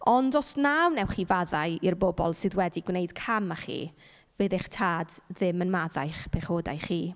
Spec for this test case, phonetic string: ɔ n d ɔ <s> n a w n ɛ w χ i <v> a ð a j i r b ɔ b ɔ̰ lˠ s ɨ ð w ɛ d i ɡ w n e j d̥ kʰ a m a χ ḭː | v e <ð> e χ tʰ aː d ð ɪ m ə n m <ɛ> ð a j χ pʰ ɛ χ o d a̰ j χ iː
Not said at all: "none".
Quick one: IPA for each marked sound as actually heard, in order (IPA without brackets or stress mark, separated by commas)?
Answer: s, v, ð, a